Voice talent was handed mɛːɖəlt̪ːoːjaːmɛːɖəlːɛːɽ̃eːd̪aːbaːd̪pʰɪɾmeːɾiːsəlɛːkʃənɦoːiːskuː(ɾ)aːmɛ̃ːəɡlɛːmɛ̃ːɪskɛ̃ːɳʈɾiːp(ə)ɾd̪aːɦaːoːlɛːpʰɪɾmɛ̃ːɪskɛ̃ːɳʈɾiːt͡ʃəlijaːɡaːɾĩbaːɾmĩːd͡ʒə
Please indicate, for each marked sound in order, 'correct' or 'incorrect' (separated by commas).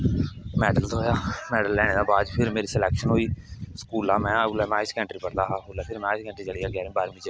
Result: incorrect, correct